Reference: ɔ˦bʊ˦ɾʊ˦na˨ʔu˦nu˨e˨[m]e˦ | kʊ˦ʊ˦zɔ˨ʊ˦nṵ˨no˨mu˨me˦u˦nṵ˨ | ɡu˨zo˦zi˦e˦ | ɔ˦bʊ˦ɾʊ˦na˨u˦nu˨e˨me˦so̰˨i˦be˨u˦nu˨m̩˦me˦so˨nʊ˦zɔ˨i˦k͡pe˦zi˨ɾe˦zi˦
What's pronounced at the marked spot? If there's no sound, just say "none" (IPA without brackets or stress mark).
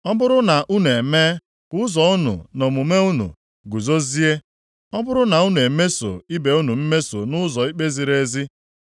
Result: m